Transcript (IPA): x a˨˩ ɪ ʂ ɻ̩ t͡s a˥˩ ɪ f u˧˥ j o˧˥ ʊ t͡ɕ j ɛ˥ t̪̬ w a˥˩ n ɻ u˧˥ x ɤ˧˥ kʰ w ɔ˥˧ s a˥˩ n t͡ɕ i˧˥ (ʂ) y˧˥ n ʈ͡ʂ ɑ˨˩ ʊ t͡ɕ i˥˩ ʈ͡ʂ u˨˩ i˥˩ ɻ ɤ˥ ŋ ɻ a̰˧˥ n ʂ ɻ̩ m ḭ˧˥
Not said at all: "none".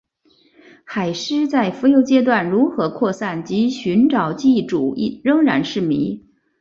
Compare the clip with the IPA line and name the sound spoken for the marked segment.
ɕ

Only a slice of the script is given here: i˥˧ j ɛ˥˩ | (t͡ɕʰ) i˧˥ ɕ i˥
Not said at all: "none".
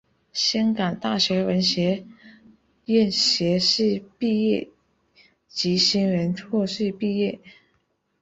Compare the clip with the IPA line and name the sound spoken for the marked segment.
t͡ɕ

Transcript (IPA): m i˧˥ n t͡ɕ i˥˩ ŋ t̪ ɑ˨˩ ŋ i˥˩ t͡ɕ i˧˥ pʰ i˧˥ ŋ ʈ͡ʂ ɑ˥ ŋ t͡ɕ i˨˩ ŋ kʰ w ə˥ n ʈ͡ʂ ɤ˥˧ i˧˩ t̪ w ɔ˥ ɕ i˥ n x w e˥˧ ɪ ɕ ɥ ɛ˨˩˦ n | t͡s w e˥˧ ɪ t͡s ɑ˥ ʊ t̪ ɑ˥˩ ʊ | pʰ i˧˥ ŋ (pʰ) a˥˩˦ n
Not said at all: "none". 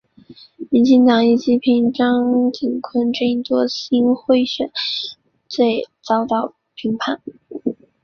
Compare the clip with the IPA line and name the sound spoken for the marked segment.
pʰ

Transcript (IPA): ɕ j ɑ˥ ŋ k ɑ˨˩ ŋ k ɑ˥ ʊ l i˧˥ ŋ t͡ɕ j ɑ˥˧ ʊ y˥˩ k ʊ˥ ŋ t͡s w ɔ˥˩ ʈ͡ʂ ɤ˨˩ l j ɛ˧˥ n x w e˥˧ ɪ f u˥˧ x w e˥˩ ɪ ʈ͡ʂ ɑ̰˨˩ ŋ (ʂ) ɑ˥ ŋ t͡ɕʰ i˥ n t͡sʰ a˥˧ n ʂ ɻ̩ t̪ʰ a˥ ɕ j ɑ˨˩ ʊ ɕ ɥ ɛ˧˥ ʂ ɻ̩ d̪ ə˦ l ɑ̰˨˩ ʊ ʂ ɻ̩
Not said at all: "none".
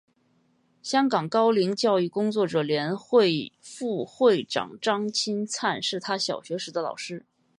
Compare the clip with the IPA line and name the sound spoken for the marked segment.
ʈ͡ʂ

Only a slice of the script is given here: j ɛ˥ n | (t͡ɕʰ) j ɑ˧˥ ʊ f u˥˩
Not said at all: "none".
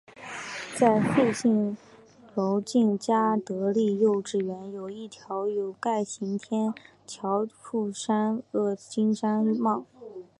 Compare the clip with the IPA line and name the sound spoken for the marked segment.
t͡ɕʰ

